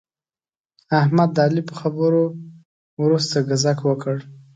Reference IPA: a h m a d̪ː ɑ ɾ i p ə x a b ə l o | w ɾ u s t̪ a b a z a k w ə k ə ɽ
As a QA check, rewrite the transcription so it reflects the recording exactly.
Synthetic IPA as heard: a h m a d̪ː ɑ l i p ə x a b ə ɾ o | w ɾ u s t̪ a ɡ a z a k w ə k ə ɽ